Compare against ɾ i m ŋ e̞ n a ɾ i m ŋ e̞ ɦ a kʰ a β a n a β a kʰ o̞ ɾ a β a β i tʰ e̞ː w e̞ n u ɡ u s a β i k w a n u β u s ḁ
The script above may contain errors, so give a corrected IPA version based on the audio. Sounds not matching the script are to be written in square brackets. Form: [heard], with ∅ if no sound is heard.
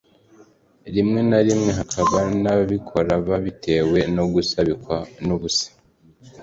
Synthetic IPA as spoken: ɾ i m ŋ e̞ n a ɾ i m ŋ e̞ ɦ a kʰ a β a n a β [i] kʰ o̞ ɾ a β a β i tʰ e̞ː w e̞ n [o] ɡ u s a β i k w a n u β u s ḁ